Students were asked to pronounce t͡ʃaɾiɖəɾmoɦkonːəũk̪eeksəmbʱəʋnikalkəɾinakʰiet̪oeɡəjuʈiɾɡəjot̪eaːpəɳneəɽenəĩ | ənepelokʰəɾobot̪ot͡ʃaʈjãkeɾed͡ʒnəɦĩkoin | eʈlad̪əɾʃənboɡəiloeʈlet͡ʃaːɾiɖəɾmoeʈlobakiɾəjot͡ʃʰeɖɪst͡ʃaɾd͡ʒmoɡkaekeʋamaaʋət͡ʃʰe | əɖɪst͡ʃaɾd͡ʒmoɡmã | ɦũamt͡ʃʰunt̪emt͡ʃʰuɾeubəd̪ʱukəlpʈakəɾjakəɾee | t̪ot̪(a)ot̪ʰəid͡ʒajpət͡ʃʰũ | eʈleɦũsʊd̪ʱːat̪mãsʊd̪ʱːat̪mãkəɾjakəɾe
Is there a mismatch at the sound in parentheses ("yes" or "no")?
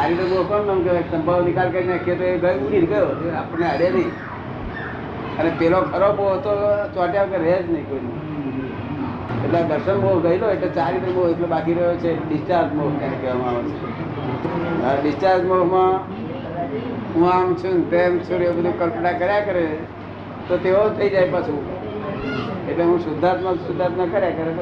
yes